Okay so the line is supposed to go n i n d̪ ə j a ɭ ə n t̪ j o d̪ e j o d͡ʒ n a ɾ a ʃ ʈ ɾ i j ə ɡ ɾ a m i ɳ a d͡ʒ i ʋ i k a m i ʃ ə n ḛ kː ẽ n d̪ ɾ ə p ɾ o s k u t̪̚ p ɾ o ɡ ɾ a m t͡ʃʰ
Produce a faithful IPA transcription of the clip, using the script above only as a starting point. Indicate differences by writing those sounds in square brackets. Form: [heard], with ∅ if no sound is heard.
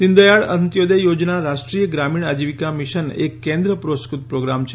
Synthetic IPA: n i n d̪ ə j a ɭ ə n t̪ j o d̪ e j o d͡ʒ n a ɾ a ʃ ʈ ɾ i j ə ɡ ɾ a m i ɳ a d͡ʒ i ʋ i k a m i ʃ ə n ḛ kː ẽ n d̪ ɾ ə p ɾ o s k u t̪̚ p ɾ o ɡ ɾ a m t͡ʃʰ